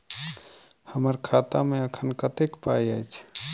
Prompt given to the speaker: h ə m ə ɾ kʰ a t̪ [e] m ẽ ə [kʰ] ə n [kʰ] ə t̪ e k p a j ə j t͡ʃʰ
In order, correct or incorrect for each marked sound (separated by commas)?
incorrect, correct, incorrect